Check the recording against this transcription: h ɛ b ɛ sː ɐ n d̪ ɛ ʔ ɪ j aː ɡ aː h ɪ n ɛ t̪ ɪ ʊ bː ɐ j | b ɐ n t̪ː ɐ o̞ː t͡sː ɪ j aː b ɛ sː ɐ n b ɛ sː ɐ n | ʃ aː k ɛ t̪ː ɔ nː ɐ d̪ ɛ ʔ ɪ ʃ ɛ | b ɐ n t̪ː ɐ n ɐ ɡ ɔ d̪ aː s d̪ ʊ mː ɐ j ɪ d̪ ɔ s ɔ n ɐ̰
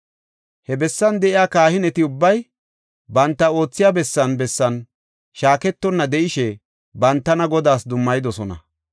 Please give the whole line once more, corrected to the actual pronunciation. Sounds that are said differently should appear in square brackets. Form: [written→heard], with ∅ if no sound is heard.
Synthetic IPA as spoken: h ɛ b ɛ sː ɐ n d̪ ɛ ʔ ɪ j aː [ɡ→k] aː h ɪ n ɛ t̪ ɪ ʊ bː ɐ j | b ɐ n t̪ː ɐ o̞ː t͡sː ɪ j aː b ɛ sː ɐ n b ɛ sː ɐ n | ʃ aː k ɛ t̪ː ɔ nː ɐ d̪ ɛ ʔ ɪ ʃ ɛ | b ɐ n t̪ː ɐ n ɐ ɡ ɔ d̪ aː s d̪ ʊ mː ɐ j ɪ d̪ ɔ s ɔ n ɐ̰